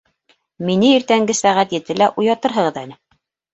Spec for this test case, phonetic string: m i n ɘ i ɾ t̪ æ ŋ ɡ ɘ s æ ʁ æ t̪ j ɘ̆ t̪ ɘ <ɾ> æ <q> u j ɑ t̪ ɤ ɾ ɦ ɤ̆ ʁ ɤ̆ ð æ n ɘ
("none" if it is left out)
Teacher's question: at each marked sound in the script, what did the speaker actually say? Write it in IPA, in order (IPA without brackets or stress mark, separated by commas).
l, ʔ